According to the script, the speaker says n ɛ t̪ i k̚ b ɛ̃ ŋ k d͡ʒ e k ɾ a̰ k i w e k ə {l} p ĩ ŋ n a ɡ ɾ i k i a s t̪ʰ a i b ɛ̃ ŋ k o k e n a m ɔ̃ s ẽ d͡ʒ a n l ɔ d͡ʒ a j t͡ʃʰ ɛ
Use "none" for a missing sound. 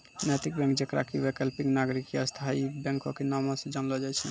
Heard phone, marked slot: l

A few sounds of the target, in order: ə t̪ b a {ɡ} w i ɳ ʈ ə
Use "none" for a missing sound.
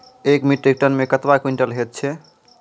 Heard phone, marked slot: k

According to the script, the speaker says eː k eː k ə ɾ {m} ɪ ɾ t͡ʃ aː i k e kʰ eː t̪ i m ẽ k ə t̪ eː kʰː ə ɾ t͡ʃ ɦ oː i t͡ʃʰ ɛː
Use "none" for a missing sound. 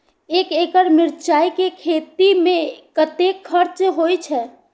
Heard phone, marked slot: m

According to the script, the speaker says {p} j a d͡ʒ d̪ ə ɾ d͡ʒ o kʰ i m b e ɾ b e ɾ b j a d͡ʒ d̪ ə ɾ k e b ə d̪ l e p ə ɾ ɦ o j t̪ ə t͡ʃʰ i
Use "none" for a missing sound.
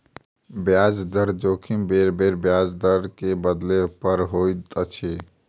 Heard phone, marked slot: b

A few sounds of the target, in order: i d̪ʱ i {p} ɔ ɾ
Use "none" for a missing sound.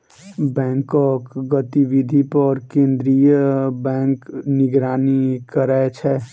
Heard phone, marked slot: p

